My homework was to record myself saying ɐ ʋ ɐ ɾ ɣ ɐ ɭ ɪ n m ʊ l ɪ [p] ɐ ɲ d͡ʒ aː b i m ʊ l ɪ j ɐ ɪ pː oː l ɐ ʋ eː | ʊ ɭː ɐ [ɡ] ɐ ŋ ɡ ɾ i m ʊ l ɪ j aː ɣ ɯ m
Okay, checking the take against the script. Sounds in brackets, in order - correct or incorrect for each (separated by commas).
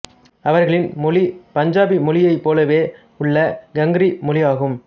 correct, correct